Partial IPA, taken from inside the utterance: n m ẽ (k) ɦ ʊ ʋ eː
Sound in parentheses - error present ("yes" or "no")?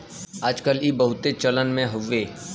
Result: yes